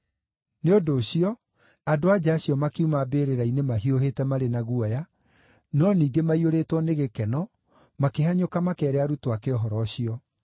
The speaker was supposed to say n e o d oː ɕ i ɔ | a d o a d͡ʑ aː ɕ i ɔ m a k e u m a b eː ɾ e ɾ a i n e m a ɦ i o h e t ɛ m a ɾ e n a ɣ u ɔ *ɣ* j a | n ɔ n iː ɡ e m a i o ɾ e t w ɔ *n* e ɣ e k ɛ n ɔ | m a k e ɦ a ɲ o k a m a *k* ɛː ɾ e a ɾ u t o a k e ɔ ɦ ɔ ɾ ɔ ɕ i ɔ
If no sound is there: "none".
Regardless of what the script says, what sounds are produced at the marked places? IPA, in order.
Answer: none, n, k

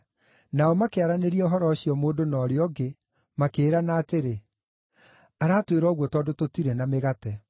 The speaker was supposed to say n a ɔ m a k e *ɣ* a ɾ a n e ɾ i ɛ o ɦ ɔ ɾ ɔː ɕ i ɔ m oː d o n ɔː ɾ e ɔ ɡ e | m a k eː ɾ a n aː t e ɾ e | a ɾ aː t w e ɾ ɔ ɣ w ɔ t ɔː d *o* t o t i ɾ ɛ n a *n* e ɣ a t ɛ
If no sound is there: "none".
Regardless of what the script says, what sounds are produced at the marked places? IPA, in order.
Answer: none, o, m

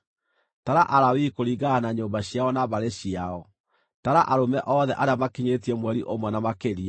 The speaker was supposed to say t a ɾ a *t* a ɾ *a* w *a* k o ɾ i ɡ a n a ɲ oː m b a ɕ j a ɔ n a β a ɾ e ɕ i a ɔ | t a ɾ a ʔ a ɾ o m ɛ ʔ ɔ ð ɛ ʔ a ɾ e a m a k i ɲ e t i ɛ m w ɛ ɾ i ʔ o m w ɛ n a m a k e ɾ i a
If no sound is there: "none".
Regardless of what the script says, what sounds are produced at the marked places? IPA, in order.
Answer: ʔ, a, i

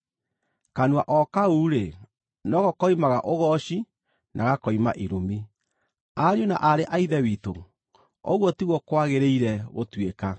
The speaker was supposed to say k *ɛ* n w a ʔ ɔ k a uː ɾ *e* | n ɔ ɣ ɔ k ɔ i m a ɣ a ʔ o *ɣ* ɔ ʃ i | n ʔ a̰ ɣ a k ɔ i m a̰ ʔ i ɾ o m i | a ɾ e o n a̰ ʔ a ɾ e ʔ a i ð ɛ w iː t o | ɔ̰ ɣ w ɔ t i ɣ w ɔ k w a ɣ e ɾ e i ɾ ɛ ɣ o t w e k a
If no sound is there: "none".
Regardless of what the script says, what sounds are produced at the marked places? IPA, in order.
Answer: a, e, ɣ

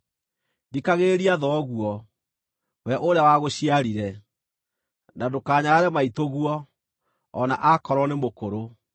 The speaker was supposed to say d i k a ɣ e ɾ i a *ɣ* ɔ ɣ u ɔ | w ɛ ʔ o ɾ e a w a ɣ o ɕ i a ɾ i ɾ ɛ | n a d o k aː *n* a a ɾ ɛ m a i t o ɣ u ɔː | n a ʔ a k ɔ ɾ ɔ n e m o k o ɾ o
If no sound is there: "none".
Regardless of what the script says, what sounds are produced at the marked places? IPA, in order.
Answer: ð, ɲ

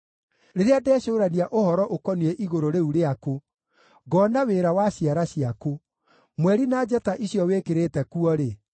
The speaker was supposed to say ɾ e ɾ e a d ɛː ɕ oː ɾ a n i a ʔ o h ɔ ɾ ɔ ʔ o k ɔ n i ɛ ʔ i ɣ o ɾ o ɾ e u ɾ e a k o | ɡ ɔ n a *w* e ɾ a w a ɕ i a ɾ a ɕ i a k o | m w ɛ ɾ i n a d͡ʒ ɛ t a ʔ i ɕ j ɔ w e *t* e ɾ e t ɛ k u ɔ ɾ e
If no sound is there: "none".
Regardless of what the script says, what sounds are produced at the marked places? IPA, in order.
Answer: w, k

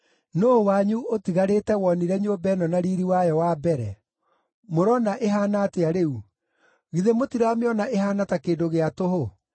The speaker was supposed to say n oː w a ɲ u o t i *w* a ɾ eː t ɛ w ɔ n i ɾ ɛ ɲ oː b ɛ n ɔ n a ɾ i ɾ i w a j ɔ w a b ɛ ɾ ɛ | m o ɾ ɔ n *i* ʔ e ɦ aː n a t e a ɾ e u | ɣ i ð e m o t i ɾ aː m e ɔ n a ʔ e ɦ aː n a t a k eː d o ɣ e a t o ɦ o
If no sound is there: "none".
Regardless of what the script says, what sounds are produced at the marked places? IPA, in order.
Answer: ɣ, a

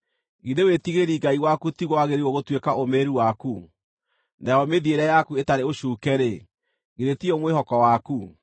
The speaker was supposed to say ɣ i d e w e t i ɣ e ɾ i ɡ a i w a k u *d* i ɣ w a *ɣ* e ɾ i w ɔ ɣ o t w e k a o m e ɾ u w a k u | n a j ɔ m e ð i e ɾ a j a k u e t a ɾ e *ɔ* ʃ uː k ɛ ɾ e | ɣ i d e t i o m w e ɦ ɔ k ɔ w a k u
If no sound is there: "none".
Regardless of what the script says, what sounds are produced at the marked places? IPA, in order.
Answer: t, ɣ, o

